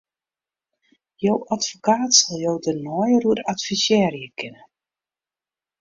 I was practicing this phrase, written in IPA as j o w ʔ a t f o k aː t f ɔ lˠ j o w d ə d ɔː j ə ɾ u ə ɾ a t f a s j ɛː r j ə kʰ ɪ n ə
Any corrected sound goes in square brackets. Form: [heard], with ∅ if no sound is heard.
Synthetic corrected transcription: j o w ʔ a t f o k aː t [s] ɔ lˠ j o w d ə [n] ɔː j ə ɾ u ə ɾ a t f [i] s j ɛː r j ə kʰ ɪ n ə